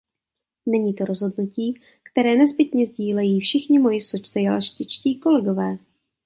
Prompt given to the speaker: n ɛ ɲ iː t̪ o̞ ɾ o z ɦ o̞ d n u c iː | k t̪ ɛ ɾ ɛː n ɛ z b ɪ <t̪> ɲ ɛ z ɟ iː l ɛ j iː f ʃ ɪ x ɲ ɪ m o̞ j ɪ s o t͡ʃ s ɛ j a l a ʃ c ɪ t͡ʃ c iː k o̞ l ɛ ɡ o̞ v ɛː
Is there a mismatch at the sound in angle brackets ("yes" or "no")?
no